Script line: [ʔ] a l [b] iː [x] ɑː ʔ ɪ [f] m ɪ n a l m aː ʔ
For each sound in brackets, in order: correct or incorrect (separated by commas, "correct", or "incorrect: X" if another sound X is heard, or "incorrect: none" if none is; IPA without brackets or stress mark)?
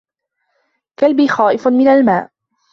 incorrect: k, correct, correct, correct